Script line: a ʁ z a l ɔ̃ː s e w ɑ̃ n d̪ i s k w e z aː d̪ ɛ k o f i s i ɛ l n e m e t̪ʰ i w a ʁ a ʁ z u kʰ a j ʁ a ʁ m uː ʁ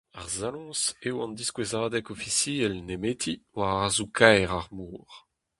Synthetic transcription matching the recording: a ʁ z a l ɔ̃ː s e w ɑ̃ n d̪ i s k w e z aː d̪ ɛ k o f i s i ɛ l n e m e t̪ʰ i w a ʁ a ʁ z u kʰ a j ʁ a ʁ m uː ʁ